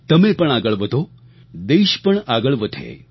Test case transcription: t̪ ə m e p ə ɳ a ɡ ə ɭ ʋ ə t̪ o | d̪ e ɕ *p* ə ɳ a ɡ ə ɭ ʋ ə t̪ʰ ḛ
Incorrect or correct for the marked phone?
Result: correct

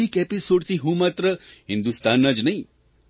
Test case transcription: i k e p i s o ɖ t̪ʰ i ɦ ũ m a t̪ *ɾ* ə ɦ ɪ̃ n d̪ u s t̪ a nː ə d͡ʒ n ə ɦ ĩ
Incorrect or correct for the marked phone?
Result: correct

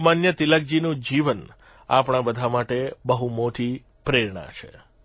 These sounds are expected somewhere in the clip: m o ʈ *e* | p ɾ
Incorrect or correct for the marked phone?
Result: incorrect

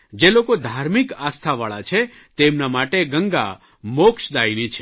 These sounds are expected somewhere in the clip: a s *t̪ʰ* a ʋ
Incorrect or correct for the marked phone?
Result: correct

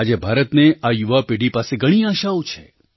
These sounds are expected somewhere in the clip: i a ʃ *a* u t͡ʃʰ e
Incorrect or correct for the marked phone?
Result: correct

